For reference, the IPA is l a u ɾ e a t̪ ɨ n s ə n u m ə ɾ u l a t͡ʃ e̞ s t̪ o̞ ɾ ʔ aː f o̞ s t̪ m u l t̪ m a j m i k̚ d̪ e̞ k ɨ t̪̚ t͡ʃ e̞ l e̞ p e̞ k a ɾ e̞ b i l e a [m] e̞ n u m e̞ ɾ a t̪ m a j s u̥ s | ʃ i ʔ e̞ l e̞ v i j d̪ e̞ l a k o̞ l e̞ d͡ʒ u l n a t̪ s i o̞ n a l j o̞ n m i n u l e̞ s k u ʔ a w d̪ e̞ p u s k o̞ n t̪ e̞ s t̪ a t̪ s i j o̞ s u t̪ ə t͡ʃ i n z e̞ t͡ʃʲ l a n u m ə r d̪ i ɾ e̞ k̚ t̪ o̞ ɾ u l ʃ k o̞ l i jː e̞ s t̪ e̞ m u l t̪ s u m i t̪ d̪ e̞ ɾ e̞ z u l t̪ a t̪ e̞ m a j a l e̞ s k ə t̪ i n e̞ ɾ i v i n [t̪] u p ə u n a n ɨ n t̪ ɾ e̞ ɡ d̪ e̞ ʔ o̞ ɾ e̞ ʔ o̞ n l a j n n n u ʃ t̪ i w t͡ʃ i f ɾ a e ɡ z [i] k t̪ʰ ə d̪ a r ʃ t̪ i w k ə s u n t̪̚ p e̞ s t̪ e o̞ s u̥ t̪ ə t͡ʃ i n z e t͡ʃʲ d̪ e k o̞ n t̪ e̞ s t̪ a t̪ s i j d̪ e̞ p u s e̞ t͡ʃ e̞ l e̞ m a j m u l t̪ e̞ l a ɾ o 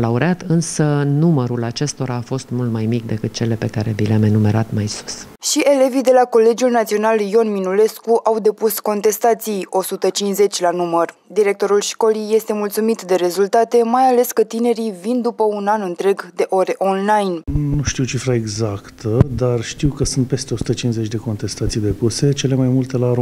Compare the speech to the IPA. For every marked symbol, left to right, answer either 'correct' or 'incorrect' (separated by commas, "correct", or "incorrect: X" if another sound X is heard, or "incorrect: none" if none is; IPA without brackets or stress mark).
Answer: correct, incorrect: d̪, incorrect: a